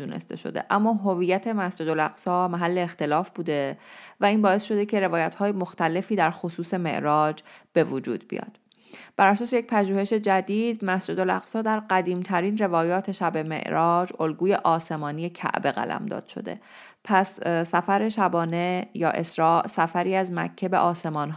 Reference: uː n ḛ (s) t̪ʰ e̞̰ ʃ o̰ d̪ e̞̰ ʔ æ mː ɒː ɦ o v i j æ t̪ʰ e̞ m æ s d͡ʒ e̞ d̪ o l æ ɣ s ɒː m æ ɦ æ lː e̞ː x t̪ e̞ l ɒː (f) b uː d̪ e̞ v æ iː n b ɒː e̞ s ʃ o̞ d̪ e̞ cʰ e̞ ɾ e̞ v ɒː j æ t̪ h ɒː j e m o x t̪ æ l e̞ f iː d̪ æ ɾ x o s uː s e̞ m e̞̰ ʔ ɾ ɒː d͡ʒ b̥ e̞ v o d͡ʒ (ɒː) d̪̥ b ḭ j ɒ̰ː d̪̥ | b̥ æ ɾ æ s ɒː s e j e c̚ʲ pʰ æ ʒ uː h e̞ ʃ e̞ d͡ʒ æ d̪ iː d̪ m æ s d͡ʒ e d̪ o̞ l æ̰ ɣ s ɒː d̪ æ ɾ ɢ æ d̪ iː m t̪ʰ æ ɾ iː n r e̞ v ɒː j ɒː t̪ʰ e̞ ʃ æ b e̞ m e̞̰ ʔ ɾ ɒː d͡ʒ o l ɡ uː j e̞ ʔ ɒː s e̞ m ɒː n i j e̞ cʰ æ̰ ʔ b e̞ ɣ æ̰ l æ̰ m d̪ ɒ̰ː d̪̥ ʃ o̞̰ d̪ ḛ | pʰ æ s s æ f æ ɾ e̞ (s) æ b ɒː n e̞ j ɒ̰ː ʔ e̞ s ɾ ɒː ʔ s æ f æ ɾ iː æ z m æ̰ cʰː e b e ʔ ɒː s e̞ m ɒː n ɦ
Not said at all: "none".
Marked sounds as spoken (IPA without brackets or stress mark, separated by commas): s, f, uː, ʃ